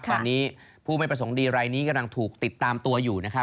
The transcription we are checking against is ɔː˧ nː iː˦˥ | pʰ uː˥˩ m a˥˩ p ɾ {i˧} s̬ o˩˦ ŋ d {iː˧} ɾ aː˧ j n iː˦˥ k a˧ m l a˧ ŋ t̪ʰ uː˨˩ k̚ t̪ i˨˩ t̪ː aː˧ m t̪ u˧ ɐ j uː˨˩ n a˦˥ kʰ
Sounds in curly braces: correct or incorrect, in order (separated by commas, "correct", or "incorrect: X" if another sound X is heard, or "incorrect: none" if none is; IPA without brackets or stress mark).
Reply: incorrect: a˧, correct